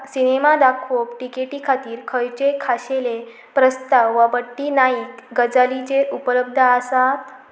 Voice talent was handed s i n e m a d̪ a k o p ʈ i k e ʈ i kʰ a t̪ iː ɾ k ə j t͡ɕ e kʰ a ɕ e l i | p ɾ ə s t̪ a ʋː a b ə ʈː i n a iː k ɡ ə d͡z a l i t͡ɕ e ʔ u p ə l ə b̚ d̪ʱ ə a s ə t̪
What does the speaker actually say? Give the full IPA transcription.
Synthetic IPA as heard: s i n e m a d̪ a kʰ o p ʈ i k e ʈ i kʰ a t̪ iː ɾ kʰ ə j t͡ɕ e kʰ a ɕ e l e | p ɾ ə s t̪ a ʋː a b ə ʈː i n a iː k ɡ ə d͡z a l i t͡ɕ e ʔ u p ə l ə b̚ d̪ʱ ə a s a t̪